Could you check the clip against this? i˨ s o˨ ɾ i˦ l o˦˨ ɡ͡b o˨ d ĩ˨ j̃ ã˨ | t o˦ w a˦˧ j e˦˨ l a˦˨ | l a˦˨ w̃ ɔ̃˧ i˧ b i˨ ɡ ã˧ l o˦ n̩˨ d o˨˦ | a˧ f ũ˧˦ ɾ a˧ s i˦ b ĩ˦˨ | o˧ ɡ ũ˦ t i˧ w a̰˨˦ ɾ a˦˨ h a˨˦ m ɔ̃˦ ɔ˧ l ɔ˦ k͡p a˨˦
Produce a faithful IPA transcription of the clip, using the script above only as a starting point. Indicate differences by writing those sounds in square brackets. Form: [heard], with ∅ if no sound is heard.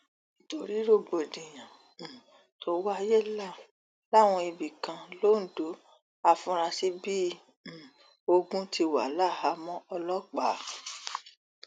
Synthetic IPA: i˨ [t] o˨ ɾ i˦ [ɾ] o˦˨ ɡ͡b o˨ d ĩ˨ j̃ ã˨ | t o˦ w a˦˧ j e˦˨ l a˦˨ | l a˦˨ w̃ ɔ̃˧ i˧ b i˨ [k] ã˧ l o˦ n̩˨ d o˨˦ | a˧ f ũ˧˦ ɾ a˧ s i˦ b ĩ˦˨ | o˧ ɡ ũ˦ t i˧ w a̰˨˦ [l] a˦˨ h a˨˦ m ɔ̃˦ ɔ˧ l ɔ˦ k͡p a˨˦